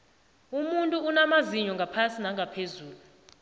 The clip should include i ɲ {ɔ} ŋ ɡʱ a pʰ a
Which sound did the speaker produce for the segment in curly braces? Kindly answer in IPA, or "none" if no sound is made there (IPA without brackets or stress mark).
ɔ